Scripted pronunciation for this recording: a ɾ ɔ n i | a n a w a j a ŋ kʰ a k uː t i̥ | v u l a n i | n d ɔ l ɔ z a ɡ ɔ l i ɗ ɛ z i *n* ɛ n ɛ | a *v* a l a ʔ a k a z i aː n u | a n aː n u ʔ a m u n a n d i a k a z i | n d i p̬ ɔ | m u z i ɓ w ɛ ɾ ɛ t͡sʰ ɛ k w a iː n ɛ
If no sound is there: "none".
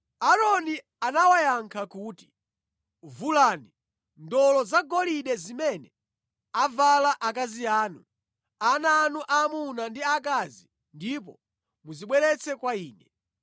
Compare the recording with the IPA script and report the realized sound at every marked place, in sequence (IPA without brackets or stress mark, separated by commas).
m, v